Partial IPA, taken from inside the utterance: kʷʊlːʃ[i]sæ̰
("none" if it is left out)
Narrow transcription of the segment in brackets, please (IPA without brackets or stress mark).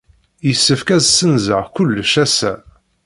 æ